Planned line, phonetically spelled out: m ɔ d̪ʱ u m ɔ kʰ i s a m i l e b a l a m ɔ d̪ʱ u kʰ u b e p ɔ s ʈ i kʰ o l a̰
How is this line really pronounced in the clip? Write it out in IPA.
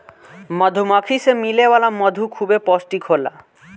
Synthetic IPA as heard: m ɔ d̪ʱ u m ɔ kʰ i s e m i l e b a l a m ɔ d̪ʱ u kʰ u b e p ɔ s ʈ i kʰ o l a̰